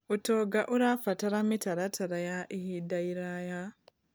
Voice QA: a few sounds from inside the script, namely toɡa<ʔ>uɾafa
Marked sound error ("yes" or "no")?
no